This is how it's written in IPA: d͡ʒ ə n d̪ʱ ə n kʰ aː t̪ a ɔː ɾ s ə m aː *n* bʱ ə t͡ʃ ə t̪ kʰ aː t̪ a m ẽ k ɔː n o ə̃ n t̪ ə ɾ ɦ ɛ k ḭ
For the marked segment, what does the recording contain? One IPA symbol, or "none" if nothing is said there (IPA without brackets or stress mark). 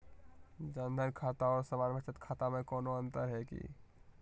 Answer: n